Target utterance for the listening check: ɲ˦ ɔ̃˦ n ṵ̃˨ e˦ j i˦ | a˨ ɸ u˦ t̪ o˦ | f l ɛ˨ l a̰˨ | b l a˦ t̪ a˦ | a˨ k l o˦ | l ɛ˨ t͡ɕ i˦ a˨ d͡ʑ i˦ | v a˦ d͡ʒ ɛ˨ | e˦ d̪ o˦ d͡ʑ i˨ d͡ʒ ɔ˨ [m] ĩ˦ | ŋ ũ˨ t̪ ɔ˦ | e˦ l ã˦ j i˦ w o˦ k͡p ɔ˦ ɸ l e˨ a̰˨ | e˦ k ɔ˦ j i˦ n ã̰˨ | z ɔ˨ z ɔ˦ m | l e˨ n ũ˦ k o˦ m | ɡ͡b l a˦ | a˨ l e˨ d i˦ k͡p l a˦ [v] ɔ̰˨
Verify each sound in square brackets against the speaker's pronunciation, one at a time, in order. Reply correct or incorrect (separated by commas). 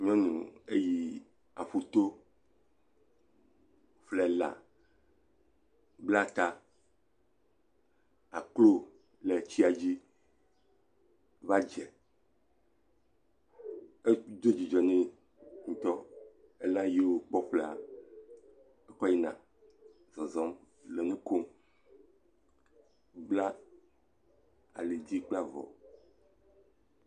incorrect, correct